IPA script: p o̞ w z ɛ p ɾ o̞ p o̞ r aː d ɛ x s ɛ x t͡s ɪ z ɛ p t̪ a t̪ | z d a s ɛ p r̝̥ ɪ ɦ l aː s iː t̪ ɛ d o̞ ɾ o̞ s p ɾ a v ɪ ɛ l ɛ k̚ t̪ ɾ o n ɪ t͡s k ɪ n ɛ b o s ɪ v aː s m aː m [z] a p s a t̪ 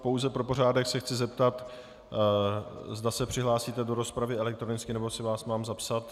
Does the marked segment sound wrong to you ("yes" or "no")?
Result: no